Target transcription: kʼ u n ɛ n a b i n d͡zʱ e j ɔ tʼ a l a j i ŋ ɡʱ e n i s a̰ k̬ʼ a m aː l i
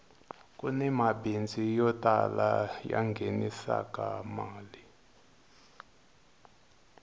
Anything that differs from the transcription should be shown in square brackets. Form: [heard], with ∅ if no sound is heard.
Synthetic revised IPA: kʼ u n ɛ [m] a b i n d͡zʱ [i] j ɔ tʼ a l a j [a] ŋ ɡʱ e n i s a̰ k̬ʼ a m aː l i